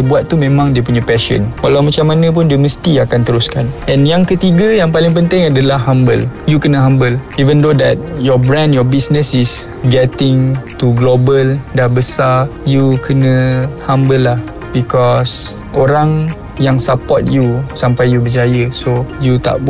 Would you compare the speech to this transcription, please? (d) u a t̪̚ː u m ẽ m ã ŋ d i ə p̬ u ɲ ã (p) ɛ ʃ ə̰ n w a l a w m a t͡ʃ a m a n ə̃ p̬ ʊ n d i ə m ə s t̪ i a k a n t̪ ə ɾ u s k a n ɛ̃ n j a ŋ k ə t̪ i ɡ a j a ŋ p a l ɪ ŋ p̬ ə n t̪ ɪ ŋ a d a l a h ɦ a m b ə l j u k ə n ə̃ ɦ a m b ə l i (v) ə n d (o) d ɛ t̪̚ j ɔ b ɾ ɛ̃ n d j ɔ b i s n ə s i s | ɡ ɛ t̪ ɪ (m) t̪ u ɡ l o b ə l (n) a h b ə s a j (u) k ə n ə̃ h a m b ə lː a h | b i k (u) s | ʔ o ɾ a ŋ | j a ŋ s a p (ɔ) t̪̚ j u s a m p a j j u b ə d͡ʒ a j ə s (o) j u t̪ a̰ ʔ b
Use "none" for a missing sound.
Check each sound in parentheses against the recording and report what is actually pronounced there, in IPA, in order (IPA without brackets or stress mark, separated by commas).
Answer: b, p, v, o, ŋ, d, u, ɔ, ɔ, o